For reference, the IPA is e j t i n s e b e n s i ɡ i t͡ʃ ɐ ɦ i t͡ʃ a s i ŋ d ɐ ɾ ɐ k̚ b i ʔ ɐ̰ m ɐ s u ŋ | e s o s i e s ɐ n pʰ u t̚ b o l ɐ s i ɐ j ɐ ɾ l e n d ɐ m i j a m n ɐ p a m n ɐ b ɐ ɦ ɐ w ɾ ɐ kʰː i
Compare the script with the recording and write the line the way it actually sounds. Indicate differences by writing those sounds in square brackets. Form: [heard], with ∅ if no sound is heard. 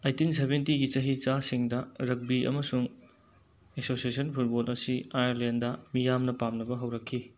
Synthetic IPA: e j t i n s e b e n [t] i ɡ i t͡ʃ ɐ ɦ i t͡ʃ a s i ŋ d ɐ ɾ ɐ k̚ b i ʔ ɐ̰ m ɐ s u ŋ | e s o s i e s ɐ n pʰ u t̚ b o l ɐ s i [a] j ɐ ɾ l e n d ɐ m i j a m n ɐ p a m n ɐ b ɐ ɦ ɐ w ɾ ɐ kʰː i